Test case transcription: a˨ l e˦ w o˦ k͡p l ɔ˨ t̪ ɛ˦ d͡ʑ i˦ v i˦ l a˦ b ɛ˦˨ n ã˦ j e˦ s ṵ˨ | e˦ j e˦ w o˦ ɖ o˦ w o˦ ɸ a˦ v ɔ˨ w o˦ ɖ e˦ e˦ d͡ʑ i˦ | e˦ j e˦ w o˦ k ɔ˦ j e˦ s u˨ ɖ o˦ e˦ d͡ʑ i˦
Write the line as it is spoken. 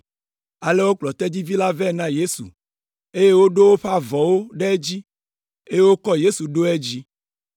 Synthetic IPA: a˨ l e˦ w o˦ k͡p l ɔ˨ t̪ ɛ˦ d͡ʑ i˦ v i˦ l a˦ v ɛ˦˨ n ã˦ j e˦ s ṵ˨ | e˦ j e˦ w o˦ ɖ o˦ w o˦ ɸ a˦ v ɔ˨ w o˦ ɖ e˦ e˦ d͡ʑ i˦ | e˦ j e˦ w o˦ k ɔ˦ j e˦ s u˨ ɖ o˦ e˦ d͡ʑ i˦